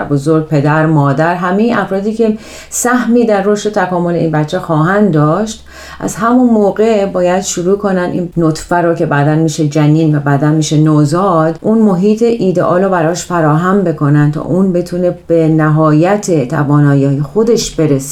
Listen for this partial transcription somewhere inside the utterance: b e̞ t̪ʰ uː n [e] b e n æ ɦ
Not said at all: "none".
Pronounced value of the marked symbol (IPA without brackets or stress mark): e